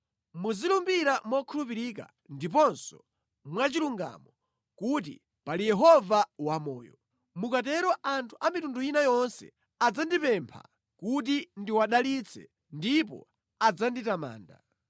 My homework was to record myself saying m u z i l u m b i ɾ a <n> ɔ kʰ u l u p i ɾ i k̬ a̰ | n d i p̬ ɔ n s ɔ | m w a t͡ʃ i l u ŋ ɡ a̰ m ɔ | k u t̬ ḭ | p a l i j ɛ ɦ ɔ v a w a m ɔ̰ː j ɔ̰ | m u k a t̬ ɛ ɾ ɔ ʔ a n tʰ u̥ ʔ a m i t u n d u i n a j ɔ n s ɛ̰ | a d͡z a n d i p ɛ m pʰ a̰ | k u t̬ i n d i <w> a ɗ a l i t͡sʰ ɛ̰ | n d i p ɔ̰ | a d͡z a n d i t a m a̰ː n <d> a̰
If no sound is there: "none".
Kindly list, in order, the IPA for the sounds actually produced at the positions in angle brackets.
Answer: m, w, d

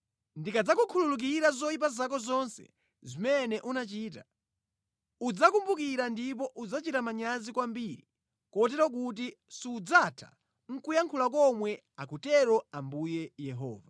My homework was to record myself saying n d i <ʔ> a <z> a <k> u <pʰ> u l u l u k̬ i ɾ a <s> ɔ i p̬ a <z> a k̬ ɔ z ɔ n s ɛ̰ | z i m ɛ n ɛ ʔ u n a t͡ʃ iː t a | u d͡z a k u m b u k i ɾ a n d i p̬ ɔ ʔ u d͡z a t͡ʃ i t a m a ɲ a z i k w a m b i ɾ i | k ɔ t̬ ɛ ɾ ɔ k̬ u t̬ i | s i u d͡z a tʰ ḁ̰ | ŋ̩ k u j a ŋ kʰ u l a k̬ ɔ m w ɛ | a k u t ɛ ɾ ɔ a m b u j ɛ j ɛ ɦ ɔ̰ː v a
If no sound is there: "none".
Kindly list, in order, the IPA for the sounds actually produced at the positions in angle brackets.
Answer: k, d͡z, k, kʰ, z, z

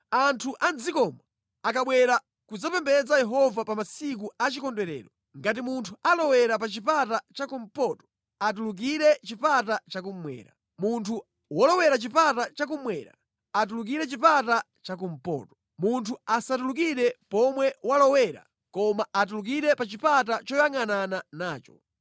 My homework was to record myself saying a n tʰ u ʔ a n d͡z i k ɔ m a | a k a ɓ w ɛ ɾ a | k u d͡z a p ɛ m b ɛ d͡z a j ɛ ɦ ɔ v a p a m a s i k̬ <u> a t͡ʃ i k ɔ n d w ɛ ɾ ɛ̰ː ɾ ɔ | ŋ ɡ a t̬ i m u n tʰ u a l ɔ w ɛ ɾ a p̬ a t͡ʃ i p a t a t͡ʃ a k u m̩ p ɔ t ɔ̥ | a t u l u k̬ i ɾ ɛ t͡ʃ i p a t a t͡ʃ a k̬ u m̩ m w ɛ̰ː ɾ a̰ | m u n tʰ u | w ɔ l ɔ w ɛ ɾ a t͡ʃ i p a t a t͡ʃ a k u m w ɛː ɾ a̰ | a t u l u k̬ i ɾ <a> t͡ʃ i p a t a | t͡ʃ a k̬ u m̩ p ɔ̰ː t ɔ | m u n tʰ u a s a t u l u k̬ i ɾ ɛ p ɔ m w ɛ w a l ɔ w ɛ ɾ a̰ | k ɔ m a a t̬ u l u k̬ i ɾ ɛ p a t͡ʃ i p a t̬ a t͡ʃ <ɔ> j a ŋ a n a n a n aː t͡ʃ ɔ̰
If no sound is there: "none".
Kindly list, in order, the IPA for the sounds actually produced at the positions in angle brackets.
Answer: u, ɛ, ɔ

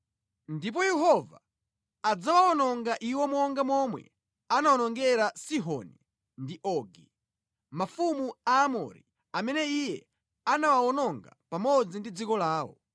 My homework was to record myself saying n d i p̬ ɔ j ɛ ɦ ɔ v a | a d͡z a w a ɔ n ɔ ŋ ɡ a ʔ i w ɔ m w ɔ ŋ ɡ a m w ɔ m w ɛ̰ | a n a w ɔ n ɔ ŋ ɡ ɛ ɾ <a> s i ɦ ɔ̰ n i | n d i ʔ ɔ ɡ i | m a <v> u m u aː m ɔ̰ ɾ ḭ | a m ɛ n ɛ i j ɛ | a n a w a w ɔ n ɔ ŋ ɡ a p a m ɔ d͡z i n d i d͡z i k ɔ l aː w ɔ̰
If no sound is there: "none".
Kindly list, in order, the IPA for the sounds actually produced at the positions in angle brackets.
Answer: a, f

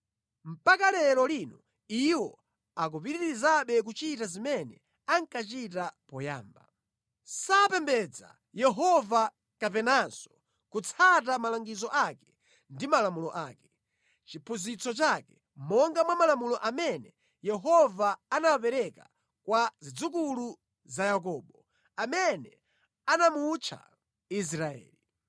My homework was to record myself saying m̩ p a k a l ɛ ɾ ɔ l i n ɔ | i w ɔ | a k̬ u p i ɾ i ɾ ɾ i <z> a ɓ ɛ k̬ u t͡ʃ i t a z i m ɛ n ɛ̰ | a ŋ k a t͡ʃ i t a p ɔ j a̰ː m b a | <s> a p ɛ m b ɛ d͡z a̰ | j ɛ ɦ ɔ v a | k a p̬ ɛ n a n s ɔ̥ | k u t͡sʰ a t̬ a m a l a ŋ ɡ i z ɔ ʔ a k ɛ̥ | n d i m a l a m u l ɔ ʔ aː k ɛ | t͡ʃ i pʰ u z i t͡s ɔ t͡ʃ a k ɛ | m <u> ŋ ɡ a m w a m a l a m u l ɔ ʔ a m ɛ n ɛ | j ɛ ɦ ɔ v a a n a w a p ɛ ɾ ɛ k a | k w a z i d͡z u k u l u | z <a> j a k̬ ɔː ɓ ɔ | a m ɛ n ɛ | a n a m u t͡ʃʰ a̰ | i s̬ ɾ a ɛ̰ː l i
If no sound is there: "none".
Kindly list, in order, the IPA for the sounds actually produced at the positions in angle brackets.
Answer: z, s, ɔ, a

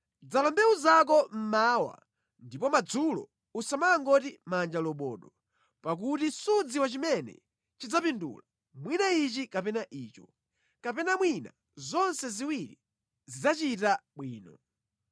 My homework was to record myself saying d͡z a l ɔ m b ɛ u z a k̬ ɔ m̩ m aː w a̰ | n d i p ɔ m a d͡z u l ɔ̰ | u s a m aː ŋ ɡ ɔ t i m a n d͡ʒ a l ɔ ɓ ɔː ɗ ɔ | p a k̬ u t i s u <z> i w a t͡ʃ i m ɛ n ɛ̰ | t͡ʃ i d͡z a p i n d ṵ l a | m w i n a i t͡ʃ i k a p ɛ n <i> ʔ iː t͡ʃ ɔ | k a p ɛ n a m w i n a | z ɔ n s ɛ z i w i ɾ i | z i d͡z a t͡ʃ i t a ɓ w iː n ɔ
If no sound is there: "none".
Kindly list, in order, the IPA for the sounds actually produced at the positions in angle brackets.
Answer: d͡z, a

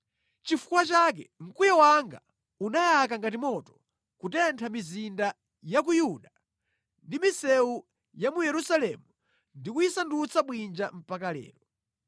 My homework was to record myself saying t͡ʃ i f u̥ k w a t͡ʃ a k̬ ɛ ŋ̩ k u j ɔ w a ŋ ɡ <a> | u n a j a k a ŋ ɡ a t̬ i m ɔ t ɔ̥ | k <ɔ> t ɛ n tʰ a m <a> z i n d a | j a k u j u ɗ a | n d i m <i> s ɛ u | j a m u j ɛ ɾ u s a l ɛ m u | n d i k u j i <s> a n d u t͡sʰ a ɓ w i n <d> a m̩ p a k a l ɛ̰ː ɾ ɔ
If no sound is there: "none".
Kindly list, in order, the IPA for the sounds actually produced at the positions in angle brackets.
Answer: a, u, i, i, s, d͡ʒ

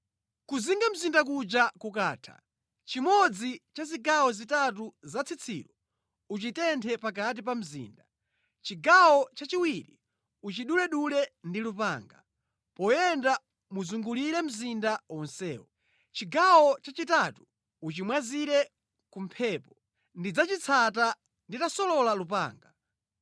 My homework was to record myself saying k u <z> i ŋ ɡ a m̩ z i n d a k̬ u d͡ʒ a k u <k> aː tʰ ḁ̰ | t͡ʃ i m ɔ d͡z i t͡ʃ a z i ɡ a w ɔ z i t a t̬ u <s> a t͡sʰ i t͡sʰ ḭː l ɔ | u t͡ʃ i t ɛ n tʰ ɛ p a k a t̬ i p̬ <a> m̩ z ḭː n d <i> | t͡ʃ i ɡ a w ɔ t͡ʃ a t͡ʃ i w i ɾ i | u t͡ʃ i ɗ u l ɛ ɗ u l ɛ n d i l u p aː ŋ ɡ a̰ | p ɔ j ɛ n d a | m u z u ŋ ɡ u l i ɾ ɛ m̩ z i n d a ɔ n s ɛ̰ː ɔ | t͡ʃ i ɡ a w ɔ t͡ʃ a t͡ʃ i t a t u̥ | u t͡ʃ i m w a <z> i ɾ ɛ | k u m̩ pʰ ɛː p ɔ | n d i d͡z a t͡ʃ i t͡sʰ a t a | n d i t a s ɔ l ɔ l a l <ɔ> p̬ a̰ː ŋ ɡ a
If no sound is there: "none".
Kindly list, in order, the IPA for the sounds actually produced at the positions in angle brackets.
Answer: z, k, z, a, a, z, u

